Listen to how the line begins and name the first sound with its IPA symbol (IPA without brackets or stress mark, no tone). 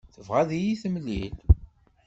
θ